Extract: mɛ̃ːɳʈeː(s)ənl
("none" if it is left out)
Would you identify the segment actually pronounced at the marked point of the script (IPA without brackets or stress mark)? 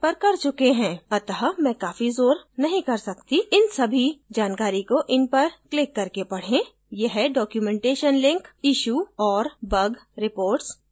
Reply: ʃ